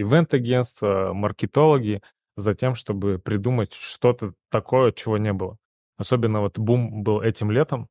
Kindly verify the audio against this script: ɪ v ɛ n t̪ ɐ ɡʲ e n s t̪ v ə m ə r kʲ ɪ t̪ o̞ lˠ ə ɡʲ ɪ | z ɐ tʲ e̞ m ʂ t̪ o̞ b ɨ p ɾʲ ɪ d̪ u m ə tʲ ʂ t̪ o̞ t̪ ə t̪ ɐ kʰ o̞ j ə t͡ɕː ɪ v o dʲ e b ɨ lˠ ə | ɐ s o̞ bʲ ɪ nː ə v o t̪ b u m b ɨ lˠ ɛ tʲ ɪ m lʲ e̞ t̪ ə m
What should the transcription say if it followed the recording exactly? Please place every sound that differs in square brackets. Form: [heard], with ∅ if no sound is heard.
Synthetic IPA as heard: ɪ v ɛ n t̪ ɐ ɡʲ e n s t̪ v ə m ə r kʲ ɪ t̪ o̞ lˠ ə ɡʲ ɪ | z ɐ tʲ e̞ m ʂ t̪ o̞ b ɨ p ɾʲ ɪ d̪ u m ə tʲ ʂ t̪ o̞ t̪ ə t̪ ɐ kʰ o̞ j ə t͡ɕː ɪ v o [nʲ] e b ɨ lˠ ə | ɐ s o̞ bʲ ɪ nː ə v o t̪ b u m b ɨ lˠ ɛ tʲ ɪ m lʲ e̞ t̪ ə m